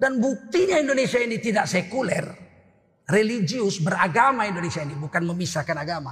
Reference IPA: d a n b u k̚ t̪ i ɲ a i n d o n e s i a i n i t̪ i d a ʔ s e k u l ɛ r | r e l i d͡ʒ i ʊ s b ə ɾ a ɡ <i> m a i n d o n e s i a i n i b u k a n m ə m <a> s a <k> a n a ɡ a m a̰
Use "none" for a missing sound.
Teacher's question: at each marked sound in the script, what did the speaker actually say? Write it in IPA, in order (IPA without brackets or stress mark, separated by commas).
a, i, k